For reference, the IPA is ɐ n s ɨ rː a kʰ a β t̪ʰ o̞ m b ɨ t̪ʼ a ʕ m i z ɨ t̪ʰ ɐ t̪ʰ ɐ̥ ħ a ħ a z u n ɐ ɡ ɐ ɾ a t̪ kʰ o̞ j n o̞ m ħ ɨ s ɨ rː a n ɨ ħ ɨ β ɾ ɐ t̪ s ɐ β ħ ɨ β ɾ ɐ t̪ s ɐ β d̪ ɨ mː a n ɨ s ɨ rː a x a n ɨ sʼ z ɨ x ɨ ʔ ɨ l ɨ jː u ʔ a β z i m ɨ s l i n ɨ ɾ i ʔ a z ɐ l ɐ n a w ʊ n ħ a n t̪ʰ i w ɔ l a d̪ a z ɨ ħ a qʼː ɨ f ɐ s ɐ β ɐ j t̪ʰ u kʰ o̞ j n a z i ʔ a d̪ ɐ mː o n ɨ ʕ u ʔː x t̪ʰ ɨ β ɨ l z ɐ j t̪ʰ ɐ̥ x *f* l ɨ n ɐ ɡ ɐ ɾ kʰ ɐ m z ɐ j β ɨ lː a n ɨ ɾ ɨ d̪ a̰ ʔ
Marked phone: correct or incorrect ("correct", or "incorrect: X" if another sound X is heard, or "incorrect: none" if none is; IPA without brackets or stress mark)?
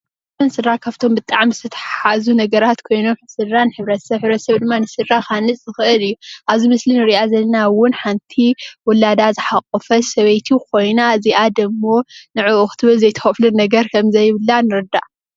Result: correct